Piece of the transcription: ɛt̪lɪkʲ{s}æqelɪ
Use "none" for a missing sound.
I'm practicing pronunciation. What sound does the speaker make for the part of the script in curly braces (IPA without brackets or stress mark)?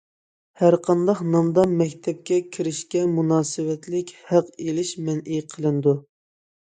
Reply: h